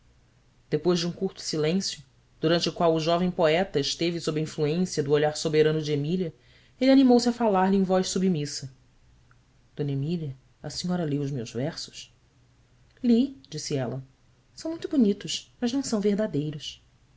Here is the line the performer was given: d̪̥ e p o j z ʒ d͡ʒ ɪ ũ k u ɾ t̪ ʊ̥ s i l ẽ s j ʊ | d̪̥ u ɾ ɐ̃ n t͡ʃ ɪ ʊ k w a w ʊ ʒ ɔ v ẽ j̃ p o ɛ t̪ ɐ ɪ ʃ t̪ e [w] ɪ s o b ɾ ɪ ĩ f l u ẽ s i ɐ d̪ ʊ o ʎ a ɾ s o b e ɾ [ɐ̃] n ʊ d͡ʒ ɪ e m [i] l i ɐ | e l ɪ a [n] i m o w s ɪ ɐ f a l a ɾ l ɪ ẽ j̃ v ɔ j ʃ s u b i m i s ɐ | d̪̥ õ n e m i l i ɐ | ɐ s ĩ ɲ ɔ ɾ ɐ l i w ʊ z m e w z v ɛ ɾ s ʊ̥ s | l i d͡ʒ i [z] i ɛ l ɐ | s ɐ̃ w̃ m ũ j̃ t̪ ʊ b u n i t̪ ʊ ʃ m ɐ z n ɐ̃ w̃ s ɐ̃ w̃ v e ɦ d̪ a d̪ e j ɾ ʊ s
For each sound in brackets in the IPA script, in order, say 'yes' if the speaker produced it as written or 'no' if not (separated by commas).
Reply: no, yes, yes, yes, no